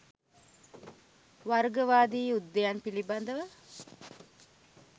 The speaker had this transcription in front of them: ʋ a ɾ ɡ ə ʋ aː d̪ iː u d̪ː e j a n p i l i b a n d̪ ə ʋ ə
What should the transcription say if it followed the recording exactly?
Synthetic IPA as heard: ʋ a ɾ ɡ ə ʋ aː d̪ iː u d̪ː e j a n p i l i b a n d̪ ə ʋ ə

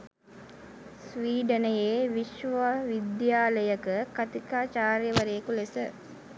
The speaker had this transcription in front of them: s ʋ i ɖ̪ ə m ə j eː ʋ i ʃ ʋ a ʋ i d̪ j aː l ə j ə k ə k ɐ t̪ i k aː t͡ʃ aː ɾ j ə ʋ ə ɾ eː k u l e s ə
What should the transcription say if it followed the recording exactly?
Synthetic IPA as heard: s ʋ iː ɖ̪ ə n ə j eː ʋ i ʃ ʋ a ʋ i d̪ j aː l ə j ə k ə k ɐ t̪ i k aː t͡ʃ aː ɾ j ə ʋ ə ɾ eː k u l e s ə

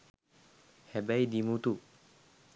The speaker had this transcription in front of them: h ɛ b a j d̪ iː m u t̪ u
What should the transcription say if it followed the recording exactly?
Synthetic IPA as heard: h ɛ b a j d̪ i m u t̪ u

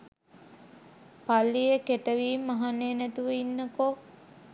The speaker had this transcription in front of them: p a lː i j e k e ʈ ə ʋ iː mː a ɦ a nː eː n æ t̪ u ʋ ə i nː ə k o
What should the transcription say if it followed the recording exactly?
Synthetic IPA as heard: p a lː i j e k e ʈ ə ʋ iː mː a ɦ a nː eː n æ t̪ u ʋ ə i nː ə k o

